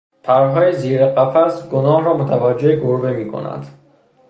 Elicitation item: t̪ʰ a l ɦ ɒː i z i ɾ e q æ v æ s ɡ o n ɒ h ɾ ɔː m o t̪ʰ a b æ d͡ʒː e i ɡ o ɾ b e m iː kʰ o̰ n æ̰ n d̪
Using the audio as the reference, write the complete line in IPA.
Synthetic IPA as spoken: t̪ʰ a ɾ ɦ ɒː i z i ɾ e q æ f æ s ɡ o n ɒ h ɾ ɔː m o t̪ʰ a v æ d͡ʒː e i ɡ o ɾ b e m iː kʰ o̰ n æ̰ n d̪